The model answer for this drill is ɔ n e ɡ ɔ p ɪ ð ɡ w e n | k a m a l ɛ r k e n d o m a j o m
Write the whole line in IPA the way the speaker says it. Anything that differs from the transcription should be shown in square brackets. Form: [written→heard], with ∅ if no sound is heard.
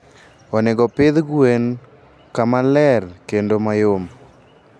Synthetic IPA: ɔ n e ɡ ɔ p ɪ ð ɡ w e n | k a m a l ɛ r k e n d o m a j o m